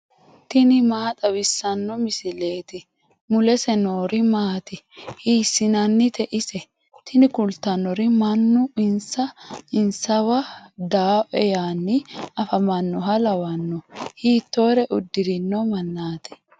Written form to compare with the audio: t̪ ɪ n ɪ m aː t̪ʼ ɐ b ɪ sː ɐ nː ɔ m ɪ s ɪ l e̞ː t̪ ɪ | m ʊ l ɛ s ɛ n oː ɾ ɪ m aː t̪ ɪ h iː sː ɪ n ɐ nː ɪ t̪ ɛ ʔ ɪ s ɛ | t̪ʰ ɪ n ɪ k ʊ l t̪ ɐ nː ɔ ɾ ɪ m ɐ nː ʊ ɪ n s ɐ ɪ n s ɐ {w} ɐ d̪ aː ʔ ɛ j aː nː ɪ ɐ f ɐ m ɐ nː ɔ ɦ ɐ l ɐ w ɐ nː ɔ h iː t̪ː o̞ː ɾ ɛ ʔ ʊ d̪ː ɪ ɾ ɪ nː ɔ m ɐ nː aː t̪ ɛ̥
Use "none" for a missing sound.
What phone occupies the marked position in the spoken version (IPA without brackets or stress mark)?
w